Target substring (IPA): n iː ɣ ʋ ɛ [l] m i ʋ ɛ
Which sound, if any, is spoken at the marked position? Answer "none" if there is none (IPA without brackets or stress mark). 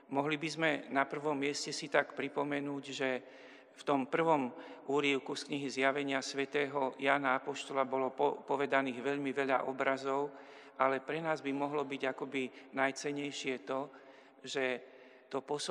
ʎ